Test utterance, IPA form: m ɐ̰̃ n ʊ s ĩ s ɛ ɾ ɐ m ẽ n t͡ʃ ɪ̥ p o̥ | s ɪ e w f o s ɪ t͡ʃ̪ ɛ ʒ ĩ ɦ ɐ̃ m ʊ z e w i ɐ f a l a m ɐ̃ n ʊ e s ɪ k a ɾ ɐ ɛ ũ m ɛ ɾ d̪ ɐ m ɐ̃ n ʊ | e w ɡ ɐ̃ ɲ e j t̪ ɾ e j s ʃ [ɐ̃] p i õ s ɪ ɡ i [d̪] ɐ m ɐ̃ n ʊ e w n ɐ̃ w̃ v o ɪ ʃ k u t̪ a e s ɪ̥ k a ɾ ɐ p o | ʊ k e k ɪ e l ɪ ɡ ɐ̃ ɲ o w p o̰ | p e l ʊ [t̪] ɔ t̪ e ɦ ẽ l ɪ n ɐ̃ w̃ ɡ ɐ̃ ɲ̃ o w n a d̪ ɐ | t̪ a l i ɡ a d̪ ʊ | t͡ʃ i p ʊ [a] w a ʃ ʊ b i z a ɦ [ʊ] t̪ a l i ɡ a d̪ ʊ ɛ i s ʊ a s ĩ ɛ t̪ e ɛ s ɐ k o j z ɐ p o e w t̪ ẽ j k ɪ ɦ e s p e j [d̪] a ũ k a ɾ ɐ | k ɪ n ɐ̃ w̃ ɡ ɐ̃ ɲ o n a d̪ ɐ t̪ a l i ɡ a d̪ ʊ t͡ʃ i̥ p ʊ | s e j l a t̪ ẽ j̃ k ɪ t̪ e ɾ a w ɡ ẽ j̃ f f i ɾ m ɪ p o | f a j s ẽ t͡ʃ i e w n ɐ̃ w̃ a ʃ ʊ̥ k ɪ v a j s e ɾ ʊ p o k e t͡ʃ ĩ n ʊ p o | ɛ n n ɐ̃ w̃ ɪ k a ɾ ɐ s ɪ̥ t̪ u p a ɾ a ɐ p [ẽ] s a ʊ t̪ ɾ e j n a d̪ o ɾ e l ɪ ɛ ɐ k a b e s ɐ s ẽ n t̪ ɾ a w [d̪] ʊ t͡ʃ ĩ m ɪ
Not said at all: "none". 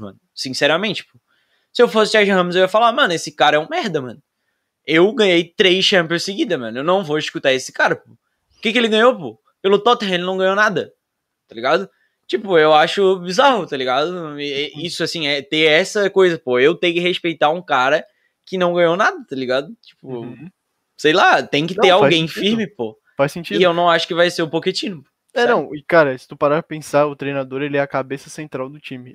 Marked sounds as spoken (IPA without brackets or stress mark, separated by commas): ɐ̃, d̪, t̪, e, ʊ, t̪, ẽ, d̪